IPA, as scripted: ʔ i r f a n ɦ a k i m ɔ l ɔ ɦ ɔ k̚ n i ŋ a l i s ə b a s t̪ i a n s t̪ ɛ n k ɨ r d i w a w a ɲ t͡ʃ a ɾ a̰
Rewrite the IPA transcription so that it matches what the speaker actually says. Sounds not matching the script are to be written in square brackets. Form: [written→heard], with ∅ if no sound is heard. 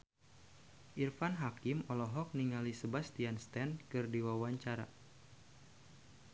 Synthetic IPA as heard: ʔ i r f a n ɦ a k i m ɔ l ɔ ɦ ɔ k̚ n i ŋ a l i s ə b a s t̪ i a n s t̪ ɛ n k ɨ r d i w a w a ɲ t͡ʃ a ɾ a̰